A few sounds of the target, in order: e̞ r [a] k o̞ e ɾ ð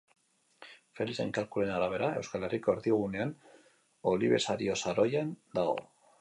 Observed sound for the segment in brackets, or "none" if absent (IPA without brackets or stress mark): i